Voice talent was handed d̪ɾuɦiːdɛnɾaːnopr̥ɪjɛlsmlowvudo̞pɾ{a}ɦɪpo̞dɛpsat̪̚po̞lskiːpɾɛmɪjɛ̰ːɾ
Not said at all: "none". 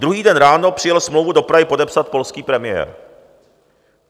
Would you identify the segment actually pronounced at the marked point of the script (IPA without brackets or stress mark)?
a